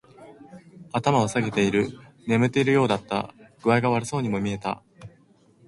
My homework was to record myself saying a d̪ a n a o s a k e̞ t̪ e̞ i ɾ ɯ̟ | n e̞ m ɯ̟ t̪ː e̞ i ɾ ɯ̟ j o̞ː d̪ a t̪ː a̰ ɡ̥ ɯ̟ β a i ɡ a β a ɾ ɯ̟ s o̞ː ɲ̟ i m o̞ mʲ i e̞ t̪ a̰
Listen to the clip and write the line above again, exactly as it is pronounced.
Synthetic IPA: a t̪ a m a o s a ɡ e̞ t̪ e̞ i ɾ ɯ̟ | n e̞ m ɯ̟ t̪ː e̞ i ɾ ɯ̟ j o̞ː d̪ a t̪ː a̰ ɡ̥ ɯ̟ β a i ɡ a β a ɾ ɯ̟ s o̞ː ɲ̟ i m o̞ mʲ i e̞ t̪ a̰

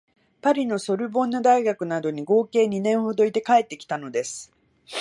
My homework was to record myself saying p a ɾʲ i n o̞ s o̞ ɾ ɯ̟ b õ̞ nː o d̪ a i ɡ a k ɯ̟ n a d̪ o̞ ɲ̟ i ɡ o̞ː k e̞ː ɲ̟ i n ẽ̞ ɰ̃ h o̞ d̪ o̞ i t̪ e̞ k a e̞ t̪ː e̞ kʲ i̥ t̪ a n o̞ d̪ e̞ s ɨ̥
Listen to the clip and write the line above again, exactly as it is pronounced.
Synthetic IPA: p a ɾʲ i n o̞ s o̞ ɾ ɯ̟ b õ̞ nː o d̪ a i ɡ a k ɯ̟ n a d̪ o̞ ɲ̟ i ɡ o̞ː k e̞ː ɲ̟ i n ẽ̞ ɰ̃ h o̞ d̪ o̞ i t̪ e̞ k a e̞ t̪ː e̞ kʲ i̥ t̪ a n o̞ d̪ e̞ s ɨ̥

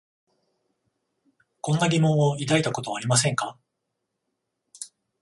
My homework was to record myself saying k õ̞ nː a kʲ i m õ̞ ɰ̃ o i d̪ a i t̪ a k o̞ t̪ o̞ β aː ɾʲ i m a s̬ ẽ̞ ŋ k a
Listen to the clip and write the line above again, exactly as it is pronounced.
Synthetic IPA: k õ̞ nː a ɡʲ i m õ̞ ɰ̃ o i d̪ a i t̪ a k o̞ t̪ o̞ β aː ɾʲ i m a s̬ ẽ̞ ŋ k a

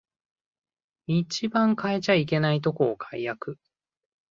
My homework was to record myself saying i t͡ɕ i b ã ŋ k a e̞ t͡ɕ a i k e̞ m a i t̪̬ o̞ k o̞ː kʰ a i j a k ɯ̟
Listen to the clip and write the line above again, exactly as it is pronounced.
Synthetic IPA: i t͡ɕ i b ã ŋ k a e̞ t͡ɕ a i k e̞ n a i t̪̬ o̞ k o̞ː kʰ a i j a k ɯ̟

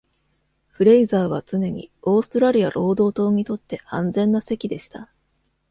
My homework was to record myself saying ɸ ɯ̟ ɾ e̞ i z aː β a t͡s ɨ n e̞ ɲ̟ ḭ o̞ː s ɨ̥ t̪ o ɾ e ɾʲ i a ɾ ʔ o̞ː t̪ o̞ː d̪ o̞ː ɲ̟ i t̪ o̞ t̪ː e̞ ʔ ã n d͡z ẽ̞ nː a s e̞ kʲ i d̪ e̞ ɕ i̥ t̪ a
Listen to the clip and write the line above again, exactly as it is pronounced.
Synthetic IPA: ɸ ɯ̟ ɾ e̞ i z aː β a t͡s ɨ n e̞ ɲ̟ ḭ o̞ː s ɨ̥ t̪ o ɾ a ɾʲ i a ɾ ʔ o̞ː d̪ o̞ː t̪ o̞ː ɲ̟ i t̪ o̞ t̪ː e̞ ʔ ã n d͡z ẽ̞ nː a s e̞ kʲ i d̪ e̞ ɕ i̥ t̪ a

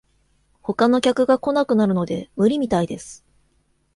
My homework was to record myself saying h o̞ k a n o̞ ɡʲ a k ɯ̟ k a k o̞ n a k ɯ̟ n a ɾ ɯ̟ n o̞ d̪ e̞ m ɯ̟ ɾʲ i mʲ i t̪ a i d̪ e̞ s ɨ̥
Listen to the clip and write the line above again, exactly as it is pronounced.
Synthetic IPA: h o̞ k a n o̞ kʲ a k ɯ̟ ɡ a k o̞ n a k ɯ̟ n a ɾ ɯ̟ n o̞ d̪ e̞ m ɯ̟ ɾʲ i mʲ i t̪ a i d̪ e̞ s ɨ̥

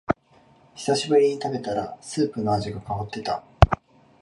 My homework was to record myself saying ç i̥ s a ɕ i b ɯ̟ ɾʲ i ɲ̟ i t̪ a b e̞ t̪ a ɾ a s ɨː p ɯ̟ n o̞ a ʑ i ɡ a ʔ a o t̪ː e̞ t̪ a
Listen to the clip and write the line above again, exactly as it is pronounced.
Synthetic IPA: ç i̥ s a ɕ i b ɯ̟ ɾʲ i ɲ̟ i t̪ a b e̞ t̪ a ɾ a s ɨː p ɯ̟ n o̞ a ʑ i ɡ a k a o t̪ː e̞ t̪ a

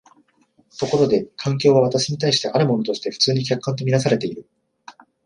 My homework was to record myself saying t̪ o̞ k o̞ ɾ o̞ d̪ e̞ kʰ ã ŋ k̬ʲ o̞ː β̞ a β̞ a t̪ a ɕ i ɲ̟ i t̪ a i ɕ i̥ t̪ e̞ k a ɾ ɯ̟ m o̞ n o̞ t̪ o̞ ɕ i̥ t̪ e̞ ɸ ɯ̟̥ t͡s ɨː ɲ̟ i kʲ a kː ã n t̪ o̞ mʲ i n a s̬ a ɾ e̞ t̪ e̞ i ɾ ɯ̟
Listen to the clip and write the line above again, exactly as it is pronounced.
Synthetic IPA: t̪ o̞ k o̞ ɾ o̞ d̪ e̞ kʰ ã ŋ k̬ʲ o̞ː β̞ a β̞ a t̪ a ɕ i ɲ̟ i t̪ a i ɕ i̥ t̪ e̞ ʔ a ɾ ɯ̟ m o̞ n o̞ t̪ o̞ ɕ i̥ t̪ e̞ ɸ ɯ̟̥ t͡s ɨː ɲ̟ i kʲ a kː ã n t̪ o̞ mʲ i n a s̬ a ɾ e̞ t̪ e̞ i ɾ ɯ̟

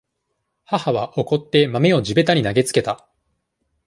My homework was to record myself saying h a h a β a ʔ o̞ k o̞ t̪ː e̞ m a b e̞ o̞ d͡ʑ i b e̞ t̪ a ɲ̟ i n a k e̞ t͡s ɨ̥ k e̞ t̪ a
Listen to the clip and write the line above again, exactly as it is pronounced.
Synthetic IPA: h a h a β a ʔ o̞ k o̞ t̪ː e̞ m a m e̞ o̞ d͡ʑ i b e̞ t̪ a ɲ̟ i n a ɡ e̞ t͡s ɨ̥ k e̞ t̪ a

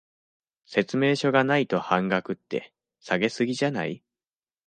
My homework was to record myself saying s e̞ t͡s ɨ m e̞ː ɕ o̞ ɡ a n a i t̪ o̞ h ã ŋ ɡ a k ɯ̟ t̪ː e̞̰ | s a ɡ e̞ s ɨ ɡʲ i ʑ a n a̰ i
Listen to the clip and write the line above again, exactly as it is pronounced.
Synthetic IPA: s e̞ t͡s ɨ m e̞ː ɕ o̞ ɡ a n a i t̪ o̞ h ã ŋ ɡ a k ɯ̟ t̪ː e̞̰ | s a ɡ e̞ s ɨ ɡʲ i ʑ a n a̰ i

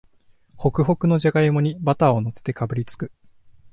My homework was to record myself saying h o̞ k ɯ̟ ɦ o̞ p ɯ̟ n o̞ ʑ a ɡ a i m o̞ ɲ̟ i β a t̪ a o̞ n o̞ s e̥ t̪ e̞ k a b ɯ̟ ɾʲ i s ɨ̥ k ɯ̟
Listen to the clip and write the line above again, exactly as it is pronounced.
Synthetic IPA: h o̞ k ɯ̟ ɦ o̞ k ɯ̟ n o̞ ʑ a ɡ a i m o̞ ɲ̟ i b a t̪ a o̞ n o̞ s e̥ t̪ e̞ k a b ɯ̟ ɾʲ i t͡s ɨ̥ k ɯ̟

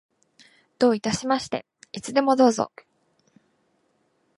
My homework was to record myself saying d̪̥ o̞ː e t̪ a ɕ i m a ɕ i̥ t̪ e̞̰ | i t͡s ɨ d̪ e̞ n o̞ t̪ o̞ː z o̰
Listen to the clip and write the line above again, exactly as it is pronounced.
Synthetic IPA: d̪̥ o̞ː i t̪ a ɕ i m a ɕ i̥ t̪ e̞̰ | i t͡s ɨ d̪ e̞ m o̞ d̪ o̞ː z o̰

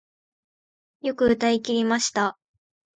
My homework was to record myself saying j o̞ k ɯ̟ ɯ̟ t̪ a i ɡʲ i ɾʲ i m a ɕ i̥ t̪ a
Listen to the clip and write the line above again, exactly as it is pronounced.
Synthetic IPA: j o̞ k ɯ̟ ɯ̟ t̪ a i kʲ i ɾʲ i m a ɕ i̥ t̪ a

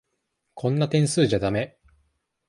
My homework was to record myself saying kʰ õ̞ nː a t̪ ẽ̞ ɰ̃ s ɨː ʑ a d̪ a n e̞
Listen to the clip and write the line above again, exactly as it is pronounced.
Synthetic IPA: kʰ õ̞ nː a t̪ ẽ̞ ɰ̃ s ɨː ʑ a d̪ a m e̞

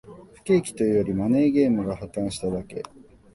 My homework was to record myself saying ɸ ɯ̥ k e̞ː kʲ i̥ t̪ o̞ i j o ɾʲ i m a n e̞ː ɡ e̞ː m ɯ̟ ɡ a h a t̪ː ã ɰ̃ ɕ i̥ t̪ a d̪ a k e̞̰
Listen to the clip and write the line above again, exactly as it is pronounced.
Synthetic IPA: ɸ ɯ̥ k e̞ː kʲ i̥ t̪ o̞ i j o ɾʲ i m a n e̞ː ɡ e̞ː m ɯ̟ ɡ a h a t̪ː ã ɰ̃ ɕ i̥ t̪ a d̪ a k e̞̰

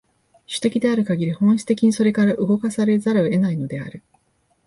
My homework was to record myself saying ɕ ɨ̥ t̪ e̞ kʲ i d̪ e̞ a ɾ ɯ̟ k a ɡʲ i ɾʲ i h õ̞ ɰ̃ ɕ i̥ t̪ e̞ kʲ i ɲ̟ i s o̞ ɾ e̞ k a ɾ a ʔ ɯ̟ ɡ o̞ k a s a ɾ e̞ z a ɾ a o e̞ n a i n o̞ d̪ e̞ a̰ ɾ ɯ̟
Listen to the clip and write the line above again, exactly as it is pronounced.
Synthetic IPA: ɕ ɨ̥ t̪ e̞ kʲ i d̪ e̞ a ɾ ɯ̟ k a ɡʲ i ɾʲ i h õ̞ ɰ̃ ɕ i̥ t̪ e̞ kʲ i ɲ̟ i s o̞ ɾ e̞ k a ɾ a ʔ ɯ̟ ɡ o̞ k a s a ɾ e̞ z a ɾ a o e̞ n a i n o̞ d̪ e̞ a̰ ɾ ɯ̟

